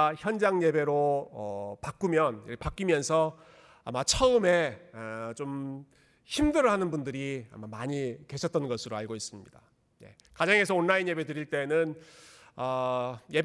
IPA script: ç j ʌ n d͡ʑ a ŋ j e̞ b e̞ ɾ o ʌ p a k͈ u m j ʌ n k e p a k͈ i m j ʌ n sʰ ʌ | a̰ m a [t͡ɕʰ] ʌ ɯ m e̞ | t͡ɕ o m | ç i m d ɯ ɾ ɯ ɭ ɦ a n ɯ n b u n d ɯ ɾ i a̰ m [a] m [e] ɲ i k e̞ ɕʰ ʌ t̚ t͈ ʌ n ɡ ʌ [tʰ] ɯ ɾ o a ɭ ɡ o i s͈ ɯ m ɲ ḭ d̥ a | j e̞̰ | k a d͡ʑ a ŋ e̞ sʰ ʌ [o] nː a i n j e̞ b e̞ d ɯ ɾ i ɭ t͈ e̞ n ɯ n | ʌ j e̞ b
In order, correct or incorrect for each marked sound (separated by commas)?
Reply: correct, correct, incorrect, incorrect, correct